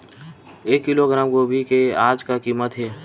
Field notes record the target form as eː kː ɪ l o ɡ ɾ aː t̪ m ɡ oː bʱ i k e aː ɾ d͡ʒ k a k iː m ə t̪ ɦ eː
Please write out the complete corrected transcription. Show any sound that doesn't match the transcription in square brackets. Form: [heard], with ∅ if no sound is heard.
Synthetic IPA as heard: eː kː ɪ l o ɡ ɾ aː [∅] m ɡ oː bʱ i k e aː [∅] d͡ʒ k a k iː m ə t̪ ɦ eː